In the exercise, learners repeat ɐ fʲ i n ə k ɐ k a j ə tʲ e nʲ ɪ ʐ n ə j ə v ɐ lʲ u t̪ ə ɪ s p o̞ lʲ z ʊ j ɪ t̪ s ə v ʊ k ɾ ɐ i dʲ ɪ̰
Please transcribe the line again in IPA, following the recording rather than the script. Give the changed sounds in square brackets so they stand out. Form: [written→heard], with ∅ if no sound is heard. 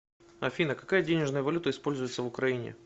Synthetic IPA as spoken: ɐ fʲ i n ə k ɐ k a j ə [tʲ→dʲ] e nʲ ɪ ʐ n ə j ə v ɐ lʲ u t̪ ə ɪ s p o̞ lʲ z ʊ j ɪ t̪ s ə v ʊ k ɾ ɐ i [dʲ→nʲ] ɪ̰

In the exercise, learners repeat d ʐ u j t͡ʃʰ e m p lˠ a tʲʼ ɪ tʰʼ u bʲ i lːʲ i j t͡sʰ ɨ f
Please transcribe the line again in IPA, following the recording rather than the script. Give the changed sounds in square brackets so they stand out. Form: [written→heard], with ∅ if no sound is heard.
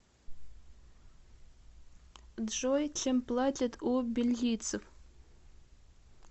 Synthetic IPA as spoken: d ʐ [u→o] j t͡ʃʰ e m p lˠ a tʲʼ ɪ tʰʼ u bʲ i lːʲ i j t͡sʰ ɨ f

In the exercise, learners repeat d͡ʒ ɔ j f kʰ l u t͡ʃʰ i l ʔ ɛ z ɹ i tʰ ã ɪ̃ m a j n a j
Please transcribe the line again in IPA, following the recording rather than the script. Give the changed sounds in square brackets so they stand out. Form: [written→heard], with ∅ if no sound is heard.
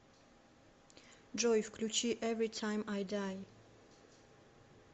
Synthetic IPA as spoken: d͡ʒ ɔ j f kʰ l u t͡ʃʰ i [l→∅] ʔ ɛ [z→v] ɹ i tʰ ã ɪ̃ m a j [n→d] a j

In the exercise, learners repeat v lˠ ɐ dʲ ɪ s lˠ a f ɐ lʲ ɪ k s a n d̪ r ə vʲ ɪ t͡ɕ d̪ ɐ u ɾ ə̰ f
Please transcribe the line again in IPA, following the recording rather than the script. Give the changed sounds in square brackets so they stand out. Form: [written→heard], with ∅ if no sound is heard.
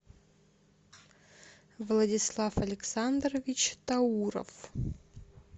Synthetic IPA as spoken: v lˠ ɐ dʲ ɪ s lˠ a f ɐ lʲ ɪ k s a n d̪ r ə vʲ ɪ t͡ɕ [d̪→t̪] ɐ u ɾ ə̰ f

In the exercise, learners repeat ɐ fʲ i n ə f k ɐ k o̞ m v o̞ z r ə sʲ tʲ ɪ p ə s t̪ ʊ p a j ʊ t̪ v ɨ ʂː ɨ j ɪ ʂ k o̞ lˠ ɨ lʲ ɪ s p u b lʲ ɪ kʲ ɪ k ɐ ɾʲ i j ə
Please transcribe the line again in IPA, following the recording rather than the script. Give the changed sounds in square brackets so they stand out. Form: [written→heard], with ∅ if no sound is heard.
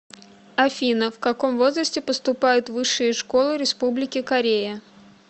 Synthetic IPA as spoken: ɐ fʲ i n ə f k ɐ k o̞ m v o̞ z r ə sʲ tʲ ɪ p ə s t̪ ʊ p a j ʊ t̪ v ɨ ʂː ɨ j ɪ ʂ k o̞ lˠ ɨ [lʲ→ɾʲ] ɪ s p u b lʲ ɪ kʲ ɪ k ɐ ɾʲ [i→e] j ə

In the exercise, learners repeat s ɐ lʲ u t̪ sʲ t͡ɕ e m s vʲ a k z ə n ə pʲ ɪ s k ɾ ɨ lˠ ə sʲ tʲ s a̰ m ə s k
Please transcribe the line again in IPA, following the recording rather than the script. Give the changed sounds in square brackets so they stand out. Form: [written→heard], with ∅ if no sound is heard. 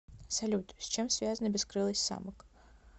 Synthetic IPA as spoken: s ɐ lʲ u t̪ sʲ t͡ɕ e m s vʲ a [k→∅] z ə n ə [pʲ→bʲ] ɪ s k ɾ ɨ lˠ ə sʲ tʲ s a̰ m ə [s→∅] k

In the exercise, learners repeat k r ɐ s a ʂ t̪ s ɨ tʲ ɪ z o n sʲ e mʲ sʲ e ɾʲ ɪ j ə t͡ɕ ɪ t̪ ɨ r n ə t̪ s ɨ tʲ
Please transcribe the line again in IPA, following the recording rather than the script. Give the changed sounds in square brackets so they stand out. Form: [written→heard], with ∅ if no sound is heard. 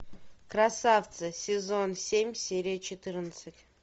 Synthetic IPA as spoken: k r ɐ s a [ʂ→f] t̪ s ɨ [tʲ→sʲ] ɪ z o n sʲ e mʲ sʲ e ɾʲ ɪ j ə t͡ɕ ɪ t̪ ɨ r n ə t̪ s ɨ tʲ

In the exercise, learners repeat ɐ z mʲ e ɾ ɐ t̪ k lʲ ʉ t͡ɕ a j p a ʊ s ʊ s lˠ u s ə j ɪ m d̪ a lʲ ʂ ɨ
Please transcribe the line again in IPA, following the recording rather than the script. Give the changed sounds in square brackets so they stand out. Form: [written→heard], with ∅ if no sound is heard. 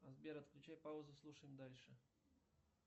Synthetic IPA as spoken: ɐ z [mʲ→bʲ] e ɾ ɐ t̪ k lʲ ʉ t͡ɕ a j p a ʊ [s→z] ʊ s lˠ u [s→ʂ] ə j ɪ m d̪ a lʲ ʂ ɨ

